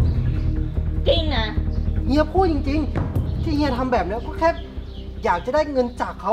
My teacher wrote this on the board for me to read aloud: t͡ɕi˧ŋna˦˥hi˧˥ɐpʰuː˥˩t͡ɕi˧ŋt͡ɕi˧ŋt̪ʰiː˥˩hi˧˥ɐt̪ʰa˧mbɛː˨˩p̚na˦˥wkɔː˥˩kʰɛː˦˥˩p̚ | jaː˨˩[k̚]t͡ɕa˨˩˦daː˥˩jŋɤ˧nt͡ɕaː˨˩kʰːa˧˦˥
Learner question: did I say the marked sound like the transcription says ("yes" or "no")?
yes